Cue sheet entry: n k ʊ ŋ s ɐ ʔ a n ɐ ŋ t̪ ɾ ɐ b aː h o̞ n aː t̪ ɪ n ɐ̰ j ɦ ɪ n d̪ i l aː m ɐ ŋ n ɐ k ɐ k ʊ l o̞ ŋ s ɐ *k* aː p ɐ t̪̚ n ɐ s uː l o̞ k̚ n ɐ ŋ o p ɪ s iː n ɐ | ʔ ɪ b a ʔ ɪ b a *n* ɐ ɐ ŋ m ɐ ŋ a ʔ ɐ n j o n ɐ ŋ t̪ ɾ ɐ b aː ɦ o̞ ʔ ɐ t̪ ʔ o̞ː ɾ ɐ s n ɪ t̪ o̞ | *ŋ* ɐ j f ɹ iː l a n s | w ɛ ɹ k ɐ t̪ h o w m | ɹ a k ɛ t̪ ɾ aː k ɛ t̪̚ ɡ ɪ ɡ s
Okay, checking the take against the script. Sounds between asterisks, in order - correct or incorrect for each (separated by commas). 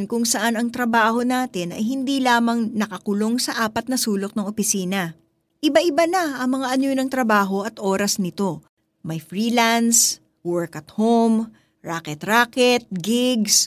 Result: incorrect, correct, incorrect